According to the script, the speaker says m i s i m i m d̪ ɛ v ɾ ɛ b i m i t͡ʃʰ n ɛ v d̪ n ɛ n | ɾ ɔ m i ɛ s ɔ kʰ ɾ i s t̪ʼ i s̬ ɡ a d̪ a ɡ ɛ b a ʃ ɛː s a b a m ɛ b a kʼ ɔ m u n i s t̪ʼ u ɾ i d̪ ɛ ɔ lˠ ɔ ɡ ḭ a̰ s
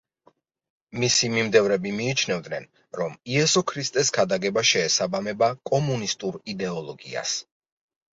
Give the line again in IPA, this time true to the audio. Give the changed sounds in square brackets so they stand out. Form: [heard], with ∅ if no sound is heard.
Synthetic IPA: m i s i m i m d̪ ɛ v ɾ ɛ b i m [iː] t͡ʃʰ n ɛ v d̪ n ɛ n | ɾ ɔ m i ɛ s ɔ kʰ ɾ i s t̪ʼ [ɛ] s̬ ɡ a d̪ a ɡ ɛ b a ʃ ɛː s a b a m ɛ b a kʼ ɔ m u n i s t̪ʼ u ɾ i d̪ ɛ ɔ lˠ ɔ ɡ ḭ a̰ s